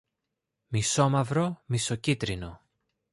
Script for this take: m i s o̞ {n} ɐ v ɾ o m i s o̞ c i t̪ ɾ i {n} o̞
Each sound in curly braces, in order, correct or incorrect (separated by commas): incorrect, correct